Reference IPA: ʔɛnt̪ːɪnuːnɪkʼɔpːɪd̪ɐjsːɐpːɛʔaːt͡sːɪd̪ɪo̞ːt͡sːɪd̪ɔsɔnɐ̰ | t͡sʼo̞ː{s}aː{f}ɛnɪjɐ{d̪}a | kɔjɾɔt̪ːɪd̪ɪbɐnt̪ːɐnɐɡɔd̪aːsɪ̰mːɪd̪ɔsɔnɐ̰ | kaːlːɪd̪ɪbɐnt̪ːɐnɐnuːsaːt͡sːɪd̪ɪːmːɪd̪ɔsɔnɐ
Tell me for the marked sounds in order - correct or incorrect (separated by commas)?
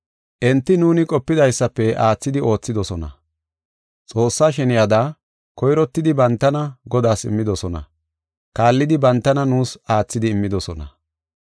incorrect, incorrect, correct